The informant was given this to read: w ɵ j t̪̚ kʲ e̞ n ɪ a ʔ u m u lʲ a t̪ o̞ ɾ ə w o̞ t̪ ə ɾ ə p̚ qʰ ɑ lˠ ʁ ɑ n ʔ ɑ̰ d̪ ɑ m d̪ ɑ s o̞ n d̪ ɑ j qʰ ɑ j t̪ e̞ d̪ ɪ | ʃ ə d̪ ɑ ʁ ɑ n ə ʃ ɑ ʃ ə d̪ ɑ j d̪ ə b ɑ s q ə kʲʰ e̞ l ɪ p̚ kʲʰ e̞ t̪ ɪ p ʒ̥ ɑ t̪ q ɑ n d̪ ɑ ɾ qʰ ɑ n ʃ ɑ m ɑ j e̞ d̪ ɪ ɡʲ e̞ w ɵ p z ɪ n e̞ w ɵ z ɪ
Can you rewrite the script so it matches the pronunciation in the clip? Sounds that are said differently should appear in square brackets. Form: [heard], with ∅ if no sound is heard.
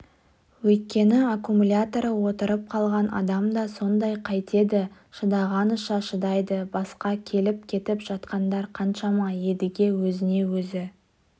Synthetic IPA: w ɵ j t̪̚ kʲ e̞ n ɪ a [k] u m u lʲ a t̪ o̞ ɾ ə w o̞ t̪ ə ɾ ə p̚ qʰ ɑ lˠ ʁ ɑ n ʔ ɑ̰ d̪ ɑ m d̪ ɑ s o̞ n d̪ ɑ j qʰ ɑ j t̪ e̞ d̪ ɪ | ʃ ə d̪ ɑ ʁ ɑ n ə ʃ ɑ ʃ ə d̪ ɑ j d̪ ə b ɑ s q [ɑ] kʲʰ e̞ l ɪ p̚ kʲʰ e̞ t̪ ɪ p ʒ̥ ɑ t̪ q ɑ n d̪ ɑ ɾ qʰ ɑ n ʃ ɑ m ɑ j e̞ d̪ ɪ ɡʲ e̞ w ɵ [∅] z ɪ n e̞ w ɵ z ɪ

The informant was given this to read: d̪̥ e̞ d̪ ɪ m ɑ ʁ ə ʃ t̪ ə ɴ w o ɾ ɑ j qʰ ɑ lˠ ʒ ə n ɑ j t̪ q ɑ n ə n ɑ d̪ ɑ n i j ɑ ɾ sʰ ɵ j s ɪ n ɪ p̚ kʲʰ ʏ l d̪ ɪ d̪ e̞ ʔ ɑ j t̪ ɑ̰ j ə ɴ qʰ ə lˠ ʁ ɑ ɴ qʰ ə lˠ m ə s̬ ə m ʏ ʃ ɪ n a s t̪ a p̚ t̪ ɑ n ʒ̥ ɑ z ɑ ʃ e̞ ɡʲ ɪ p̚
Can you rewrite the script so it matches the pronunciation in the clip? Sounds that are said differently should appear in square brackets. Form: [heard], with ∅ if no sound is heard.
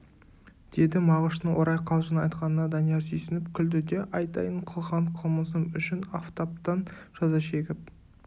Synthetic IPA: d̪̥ e̞ d̪ ɪ m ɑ ʁ ə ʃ t̪ ə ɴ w o ɾ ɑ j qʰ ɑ lˠ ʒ ə n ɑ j t̪ q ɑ n ə n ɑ d̪ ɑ n i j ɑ ɾ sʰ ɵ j s ɪ n ɪ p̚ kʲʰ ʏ l d̪ ɪ d̪ e̞ ʔ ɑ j t̪ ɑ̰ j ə ɴ qʰ ə lˠ ʁ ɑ ɴ qʰ ə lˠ m ə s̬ ə m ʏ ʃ ɪ n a [f] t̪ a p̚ t̪ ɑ n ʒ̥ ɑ z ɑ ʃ e̞ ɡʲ ɪ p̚

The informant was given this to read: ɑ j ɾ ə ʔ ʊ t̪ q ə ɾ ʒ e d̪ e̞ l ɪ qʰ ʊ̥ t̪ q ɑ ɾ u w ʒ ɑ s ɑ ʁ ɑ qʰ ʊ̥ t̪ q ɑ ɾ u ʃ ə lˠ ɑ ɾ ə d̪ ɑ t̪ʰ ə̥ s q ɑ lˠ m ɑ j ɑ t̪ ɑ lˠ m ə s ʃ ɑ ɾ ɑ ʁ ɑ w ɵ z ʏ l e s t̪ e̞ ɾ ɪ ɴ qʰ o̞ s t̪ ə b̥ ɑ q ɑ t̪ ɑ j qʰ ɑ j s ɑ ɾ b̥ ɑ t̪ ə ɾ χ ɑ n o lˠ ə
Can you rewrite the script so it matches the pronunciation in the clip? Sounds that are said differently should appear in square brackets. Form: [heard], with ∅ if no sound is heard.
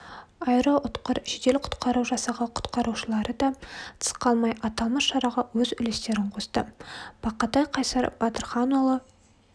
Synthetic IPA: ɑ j ɾ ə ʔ ʊ t̪ q ə ɾ ʒ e d̪ e̞ l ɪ qʰ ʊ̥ t̪ q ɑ ɾ u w ʒ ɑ s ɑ ʁ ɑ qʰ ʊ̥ t̪ q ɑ ɾ u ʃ ə lˠ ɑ ɾ ə d̪ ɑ t̪ʰ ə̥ s q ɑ lˠ m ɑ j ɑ t̪ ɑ lˠ m ə s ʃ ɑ ɾ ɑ ʁ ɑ w ɵ z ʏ l e s t̪ e̞ ɾ ɪ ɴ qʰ o̞ s t̪ ə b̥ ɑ q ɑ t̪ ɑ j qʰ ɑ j s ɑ ɾ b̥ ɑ t̪ ə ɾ χ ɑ n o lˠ ə

